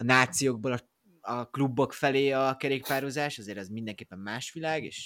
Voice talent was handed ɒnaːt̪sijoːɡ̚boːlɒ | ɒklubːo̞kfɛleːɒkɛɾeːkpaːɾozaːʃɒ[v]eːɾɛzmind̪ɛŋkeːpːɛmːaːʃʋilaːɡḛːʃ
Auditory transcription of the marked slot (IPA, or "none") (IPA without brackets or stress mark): z